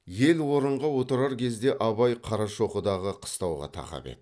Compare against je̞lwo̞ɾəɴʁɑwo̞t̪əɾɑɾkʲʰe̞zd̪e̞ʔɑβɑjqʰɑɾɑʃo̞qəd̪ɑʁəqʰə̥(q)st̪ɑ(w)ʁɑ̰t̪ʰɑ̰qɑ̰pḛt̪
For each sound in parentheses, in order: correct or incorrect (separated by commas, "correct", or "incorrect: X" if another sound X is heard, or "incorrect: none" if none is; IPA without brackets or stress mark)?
incorrect: none, correct